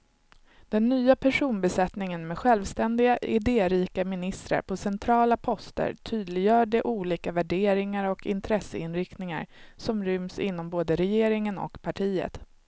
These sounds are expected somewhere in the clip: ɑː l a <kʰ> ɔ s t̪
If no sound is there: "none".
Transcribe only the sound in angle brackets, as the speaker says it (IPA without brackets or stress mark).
pʰ